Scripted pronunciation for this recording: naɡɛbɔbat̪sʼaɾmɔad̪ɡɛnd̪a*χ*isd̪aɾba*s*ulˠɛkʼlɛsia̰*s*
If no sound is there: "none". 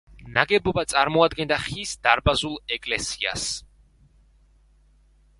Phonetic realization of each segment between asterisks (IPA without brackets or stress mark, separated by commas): χ, z, s